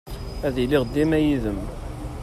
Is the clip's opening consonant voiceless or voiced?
voiced